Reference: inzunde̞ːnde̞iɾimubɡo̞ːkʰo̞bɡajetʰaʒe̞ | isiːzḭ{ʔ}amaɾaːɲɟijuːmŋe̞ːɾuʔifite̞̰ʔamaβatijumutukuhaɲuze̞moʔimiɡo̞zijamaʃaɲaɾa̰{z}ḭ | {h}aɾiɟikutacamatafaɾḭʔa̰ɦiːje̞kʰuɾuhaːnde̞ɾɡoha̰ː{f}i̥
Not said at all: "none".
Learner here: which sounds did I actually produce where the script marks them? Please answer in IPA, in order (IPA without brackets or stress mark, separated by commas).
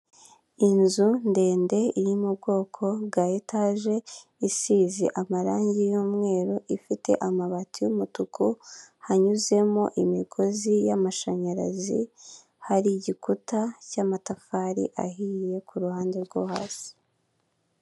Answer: ʔ, z, h, s